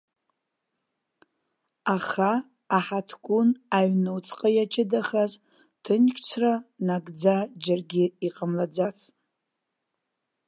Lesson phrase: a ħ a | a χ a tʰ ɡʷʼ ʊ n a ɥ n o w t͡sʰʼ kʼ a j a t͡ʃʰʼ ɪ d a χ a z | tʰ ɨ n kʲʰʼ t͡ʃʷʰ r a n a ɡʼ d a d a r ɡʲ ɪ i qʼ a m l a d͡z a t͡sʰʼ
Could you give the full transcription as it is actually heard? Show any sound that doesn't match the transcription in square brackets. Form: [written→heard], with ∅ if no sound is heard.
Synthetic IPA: a [ħ→χ] a | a [χ→ħ] a tʰ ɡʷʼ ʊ n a ɥ n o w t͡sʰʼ [kʼ→qʼ] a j a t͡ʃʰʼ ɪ d a χ a z | tʰ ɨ n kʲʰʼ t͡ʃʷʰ r a n a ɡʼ [d→d͡z] a [d→d͡ʒ] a r ɡʲ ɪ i qʼ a m l a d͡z a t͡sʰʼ